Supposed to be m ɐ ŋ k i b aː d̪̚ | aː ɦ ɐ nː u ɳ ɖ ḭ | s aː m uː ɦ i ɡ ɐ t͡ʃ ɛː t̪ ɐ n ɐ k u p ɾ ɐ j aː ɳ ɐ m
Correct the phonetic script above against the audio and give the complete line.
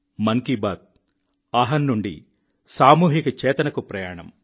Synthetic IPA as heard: m ɐ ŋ k i b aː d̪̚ | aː ɦ ɐ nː u ɳ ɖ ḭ | s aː m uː ɦ i k ɐ t͡ʃ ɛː t̪ ɐ n ɐ k u p ɾ ɐ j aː ɳ ɐ m